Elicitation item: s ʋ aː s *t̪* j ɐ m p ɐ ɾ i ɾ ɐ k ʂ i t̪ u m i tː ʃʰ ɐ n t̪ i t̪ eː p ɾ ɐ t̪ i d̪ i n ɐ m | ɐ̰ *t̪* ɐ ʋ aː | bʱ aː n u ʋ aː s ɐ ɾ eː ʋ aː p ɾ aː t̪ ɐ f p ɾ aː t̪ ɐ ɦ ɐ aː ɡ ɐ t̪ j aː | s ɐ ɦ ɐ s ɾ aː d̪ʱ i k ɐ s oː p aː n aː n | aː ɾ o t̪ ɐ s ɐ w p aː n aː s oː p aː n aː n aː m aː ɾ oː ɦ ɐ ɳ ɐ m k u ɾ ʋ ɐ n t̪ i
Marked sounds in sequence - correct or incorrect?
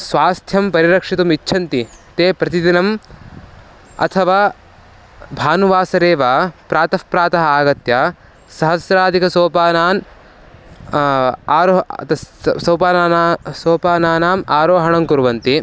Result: incorrect, incorrect

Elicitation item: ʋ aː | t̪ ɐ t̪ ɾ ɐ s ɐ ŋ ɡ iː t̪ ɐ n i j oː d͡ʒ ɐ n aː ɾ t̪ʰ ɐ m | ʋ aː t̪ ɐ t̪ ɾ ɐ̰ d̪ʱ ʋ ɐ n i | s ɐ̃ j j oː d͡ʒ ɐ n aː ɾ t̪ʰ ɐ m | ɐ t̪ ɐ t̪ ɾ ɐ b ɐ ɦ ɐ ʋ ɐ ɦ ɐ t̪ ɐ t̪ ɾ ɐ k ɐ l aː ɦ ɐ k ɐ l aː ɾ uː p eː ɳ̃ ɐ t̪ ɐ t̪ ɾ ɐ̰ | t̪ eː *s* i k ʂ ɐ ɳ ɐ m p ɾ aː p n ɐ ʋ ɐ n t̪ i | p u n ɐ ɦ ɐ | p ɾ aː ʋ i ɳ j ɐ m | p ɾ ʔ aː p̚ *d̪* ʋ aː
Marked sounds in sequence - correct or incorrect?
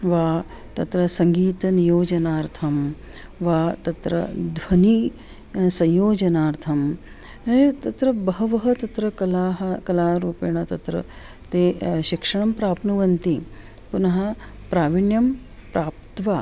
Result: incorrect, incorrect

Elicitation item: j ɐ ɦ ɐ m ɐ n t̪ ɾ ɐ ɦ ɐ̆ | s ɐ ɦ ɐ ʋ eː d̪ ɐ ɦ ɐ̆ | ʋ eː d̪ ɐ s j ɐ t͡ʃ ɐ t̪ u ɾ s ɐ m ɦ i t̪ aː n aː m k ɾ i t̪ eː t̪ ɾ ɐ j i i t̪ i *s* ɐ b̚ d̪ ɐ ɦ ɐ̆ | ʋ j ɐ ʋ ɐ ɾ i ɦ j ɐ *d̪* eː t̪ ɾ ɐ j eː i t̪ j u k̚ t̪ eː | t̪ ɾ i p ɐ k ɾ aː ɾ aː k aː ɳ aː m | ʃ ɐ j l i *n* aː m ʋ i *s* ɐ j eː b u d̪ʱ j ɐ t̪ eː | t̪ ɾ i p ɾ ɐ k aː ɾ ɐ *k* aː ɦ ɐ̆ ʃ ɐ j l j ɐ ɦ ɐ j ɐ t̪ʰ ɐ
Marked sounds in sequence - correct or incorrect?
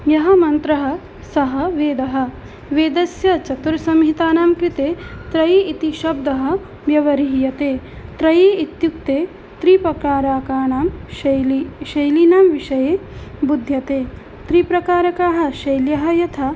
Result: incorrect, incorrect, correct, incorrect, correct

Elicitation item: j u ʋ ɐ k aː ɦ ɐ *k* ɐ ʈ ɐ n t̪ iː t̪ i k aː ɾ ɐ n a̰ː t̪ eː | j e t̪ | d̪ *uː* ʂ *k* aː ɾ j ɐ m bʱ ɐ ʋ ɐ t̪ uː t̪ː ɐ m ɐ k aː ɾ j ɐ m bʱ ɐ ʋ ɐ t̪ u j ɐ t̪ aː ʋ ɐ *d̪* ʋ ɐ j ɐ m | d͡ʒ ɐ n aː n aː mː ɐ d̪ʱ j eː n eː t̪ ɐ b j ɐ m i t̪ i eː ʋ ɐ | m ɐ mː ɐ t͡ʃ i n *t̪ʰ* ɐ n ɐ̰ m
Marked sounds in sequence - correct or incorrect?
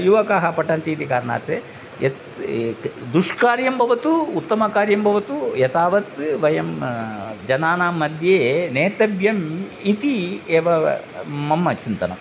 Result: incorrect, incorrect, correct, incorrect, incorrect

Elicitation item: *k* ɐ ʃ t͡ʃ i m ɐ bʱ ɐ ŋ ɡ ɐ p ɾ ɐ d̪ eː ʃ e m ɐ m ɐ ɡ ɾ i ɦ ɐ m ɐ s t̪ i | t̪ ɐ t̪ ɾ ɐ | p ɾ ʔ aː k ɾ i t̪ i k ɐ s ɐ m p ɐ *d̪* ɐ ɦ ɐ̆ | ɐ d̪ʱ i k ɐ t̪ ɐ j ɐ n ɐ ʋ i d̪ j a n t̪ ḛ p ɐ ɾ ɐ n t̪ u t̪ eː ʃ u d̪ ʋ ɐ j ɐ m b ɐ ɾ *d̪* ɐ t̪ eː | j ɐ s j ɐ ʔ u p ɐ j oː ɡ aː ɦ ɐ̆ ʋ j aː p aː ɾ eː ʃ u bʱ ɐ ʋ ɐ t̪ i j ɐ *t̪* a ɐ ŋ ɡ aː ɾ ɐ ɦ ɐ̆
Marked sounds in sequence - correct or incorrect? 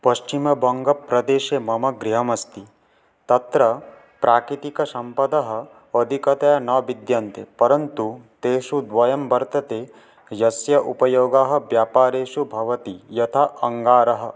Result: incorrect, correct, incorrect, incorrect

